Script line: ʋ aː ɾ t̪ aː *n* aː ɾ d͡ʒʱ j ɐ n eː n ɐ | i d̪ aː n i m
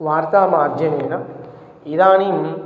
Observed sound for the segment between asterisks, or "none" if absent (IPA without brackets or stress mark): m